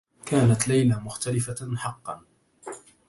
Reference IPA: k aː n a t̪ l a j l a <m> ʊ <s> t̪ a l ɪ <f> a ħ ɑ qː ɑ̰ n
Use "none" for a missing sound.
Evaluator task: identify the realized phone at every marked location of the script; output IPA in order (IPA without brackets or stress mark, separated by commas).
m, x, f